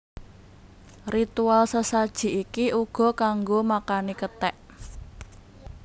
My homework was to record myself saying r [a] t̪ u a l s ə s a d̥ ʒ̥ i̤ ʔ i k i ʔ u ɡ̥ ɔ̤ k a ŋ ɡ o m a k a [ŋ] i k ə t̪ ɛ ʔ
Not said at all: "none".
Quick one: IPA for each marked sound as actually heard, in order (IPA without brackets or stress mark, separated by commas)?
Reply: i, n